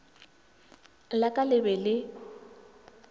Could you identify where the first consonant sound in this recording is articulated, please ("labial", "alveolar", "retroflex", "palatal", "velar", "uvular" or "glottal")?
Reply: alveolar